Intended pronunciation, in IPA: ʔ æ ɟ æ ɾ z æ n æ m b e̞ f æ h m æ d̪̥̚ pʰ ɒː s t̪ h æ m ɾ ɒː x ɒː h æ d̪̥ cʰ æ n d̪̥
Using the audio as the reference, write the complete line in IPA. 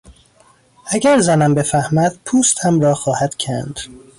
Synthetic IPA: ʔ æ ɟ æ ɾ z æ n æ m b e̞ f æ h m æ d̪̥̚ pʰ uː s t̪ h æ m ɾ ɒː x ɒː h æ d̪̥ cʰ æ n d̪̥